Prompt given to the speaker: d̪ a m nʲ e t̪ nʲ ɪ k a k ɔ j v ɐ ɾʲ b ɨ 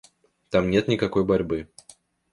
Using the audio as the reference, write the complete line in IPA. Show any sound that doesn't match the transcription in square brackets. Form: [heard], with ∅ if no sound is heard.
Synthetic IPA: [t̪] a m nʲ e t̪ nʲ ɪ k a k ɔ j [b] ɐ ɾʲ b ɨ